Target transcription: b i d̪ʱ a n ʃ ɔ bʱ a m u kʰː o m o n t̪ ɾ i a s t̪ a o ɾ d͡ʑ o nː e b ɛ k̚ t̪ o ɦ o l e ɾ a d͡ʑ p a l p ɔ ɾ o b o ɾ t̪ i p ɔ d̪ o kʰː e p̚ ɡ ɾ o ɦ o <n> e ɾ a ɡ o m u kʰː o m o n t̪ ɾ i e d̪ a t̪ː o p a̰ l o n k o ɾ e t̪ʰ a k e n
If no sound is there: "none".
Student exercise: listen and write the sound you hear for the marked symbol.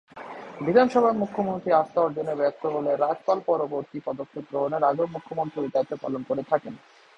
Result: n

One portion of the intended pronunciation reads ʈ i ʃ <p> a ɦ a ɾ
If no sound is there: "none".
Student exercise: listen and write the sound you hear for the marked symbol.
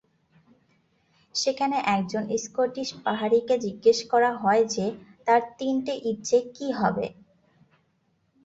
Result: p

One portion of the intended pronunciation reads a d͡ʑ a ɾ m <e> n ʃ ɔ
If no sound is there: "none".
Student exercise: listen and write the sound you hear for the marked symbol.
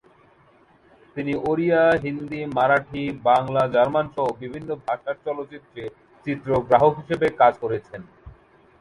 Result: a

